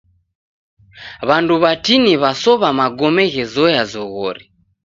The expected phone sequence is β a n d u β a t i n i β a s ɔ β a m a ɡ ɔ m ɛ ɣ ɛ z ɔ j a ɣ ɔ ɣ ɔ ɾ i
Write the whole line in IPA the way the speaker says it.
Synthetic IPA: β a n d u β a t i n i β a s ɔ β a m a ɡ ɔ m ɛ ɣ ɛ z ɔ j a z ɔ ɣ ɔ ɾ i